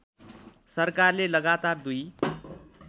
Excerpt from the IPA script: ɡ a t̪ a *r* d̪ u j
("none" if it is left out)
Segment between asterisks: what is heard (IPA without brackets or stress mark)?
r